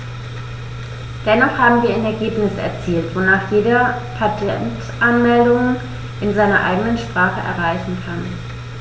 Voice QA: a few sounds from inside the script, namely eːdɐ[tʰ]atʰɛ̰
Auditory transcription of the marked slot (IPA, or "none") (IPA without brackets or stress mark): pʰ